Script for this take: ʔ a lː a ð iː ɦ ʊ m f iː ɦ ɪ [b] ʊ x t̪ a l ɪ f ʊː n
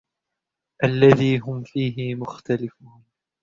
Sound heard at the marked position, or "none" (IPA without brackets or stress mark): m